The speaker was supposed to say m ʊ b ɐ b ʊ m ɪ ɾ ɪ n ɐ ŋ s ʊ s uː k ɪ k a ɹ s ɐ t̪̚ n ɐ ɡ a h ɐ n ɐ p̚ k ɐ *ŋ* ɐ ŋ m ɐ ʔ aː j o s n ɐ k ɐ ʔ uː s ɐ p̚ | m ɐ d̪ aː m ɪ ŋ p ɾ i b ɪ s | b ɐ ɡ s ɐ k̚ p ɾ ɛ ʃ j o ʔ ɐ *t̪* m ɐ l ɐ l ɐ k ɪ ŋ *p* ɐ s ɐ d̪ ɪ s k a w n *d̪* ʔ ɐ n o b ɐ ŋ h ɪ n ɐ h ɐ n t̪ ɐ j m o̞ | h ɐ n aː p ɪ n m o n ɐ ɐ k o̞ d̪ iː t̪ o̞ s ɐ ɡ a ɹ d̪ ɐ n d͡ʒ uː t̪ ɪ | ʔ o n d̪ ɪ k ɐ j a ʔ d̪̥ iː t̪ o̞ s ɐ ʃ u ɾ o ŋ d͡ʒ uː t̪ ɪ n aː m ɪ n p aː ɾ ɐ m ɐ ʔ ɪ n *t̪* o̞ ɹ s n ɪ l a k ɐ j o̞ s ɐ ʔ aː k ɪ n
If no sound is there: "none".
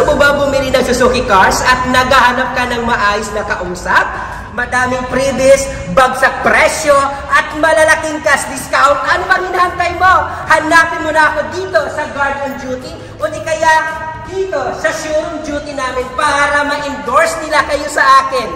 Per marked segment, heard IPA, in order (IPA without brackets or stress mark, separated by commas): n, t̪, k, t̪, d̪